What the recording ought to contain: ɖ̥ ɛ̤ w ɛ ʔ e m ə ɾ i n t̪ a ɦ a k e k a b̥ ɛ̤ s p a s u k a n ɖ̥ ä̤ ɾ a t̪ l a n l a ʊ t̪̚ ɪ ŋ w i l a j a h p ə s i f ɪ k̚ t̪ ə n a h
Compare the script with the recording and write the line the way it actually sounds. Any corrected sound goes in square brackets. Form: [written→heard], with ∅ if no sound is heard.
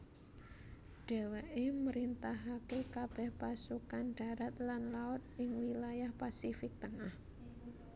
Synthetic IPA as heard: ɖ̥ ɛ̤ w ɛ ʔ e m ə ɾ i n t̪ a ɦ a k e k a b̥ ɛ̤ [s→h] p a s u k a n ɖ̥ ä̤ ɾ a t̪ l a n l a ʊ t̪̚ ɪ ŋ w i l a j a h p [ə→a] s i f ɪ k̚ t̪ ə [n→ŋ] a h